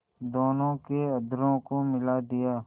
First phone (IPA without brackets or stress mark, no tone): d̪